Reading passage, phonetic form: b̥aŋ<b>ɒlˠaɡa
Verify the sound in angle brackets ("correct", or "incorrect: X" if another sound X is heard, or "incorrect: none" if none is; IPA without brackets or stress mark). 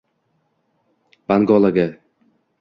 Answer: incorrect: ɡ